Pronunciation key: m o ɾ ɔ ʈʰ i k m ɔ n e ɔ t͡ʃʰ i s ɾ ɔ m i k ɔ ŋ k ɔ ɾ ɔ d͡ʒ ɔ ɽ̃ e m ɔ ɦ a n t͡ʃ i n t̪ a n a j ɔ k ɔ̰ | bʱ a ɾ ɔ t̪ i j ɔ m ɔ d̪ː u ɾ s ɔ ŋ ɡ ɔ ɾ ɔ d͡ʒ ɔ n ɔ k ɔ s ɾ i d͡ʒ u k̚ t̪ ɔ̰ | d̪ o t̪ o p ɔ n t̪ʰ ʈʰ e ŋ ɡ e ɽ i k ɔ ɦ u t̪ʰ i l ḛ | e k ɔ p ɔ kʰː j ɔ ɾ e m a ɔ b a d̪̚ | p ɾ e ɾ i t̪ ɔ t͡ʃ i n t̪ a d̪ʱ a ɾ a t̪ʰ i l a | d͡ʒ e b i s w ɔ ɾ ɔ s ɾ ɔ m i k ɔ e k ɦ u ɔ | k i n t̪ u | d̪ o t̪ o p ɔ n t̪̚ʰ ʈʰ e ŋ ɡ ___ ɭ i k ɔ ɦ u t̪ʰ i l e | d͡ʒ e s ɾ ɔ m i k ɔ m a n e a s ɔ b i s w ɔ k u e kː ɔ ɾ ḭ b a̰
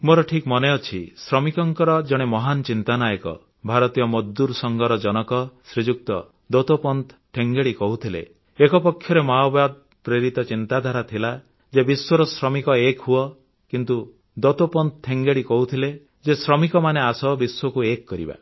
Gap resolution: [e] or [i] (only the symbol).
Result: e